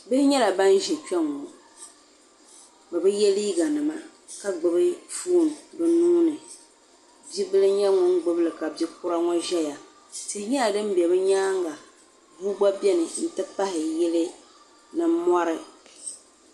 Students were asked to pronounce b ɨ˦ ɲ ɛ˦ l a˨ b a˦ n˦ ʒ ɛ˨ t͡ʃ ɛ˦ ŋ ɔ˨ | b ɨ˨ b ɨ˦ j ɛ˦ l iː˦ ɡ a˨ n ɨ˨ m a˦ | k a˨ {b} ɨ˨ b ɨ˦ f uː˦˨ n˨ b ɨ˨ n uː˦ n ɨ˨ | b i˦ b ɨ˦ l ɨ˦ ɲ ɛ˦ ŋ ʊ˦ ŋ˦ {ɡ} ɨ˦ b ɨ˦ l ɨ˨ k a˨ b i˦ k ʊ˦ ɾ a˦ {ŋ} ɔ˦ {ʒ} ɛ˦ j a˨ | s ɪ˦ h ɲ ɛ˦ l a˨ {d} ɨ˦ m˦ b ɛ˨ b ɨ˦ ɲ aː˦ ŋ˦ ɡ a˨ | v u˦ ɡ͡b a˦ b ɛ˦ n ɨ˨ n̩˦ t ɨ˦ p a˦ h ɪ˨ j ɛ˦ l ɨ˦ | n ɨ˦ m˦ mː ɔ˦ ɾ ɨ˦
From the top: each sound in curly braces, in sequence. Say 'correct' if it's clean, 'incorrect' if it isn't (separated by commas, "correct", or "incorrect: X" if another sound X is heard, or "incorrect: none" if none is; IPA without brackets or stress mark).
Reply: incorrect: ɡ͡b, incorrect: ɡ͡b, correct, correct, correct